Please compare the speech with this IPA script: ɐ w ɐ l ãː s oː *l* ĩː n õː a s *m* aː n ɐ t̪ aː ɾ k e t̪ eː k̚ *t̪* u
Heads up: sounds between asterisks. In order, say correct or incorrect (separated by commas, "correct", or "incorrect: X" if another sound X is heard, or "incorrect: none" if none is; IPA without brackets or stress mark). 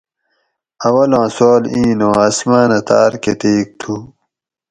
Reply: correct, correct, incorrect: t̪ʰ